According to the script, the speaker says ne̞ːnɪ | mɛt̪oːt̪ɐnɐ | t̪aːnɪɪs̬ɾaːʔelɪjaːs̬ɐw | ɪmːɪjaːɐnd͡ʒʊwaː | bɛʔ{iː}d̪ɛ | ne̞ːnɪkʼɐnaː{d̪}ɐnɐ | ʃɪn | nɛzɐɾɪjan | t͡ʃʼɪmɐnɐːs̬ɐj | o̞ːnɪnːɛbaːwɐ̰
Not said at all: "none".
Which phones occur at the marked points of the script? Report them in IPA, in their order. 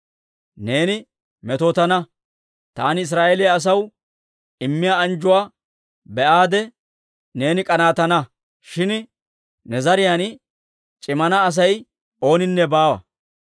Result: aː, t̪

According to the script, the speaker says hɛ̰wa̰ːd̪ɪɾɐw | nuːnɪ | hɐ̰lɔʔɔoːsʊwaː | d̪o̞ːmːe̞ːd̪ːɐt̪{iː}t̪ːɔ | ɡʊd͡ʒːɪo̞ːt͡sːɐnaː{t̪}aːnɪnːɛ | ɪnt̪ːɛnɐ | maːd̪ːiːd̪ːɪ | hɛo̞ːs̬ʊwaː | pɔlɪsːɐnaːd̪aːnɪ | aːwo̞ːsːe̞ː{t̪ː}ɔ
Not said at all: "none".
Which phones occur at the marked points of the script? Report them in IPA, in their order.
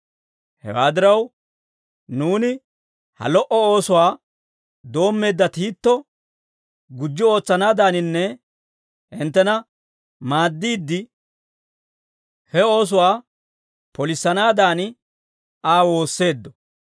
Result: iː, d̪, d̪ː

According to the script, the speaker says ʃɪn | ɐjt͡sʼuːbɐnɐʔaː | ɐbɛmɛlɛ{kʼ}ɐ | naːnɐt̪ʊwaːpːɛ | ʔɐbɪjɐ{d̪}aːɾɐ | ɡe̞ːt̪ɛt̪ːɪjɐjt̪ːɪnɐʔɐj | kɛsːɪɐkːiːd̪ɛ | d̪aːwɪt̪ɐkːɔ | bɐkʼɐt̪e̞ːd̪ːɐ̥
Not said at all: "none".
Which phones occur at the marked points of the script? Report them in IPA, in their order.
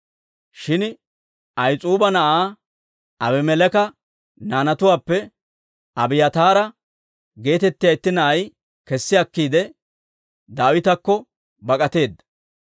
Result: k, t̪

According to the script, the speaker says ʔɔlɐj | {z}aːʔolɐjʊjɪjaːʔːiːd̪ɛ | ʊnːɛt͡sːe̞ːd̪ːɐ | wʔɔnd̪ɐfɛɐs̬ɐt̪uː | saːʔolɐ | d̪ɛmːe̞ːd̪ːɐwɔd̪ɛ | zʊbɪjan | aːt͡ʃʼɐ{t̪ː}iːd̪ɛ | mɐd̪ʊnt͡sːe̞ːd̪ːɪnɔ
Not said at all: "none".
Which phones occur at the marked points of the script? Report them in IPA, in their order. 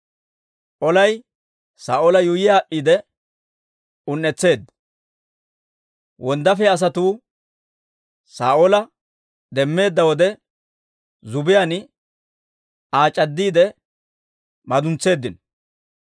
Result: s, d̪ː

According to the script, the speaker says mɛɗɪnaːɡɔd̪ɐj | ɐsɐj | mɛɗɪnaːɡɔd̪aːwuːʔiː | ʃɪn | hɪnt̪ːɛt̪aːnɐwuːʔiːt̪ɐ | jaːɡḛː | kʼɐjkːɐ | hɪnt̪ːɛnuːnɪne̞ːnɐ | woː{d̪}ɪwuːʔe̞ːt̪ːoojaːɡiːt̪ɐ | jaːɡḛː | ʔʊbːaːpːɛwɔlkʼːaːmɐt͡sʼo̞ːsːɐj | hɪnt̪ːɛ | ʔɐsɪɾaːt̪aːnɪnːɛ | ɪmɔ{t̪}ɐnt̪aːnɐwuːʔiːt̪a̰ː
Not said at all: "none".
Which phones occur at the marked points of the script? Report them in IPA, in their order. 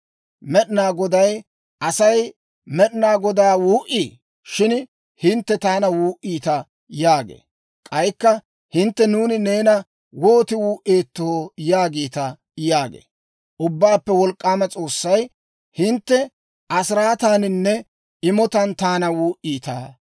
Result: t̪, t̪

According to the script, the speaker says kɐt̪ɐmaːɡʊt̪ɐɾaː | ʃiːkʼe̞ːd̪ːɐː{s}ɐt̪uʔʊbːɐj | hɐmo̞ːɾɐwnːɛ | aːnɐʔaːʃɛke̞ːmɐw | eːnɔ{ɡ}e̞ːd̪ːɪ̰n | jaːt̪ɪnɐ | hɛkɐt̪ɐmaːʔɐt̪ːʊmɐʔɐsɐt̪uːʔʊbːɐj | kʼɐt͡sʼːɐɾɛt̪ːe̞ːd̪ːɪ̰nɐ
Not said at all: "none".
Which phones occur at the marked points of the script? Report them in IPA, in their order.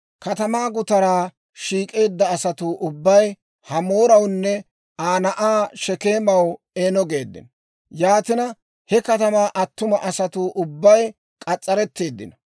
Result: s, ɡ

